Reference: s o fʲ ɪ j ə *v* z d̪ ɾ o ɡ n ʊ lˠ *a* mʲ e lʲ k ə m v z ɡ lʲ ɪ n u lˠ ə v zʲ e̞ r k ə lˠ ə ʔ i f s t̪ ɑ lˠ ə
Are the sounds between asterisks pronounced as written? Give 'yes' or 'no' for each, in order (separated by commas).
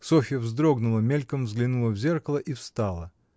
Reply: yes, no